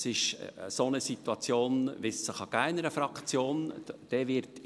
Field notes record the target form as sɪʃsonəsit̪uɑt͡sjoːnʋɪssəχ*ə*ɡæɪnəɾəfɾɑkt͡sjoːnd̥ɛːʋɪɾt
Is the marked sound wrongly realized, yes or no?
yes